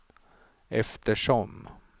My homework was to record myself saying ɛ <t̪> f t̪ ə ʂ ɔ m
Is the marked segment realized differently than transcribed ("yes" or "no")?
yes